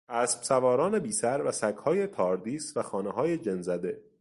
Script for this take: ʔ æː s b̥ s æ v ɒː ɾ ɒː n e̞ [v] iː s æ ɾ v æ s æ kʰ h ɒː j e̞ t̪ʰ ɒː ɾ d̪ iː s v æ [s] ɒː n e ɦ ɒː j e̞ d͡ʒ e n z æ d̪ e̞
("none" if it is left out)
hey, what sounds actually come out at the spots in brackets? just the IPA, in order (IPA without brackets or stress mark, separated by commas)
b, x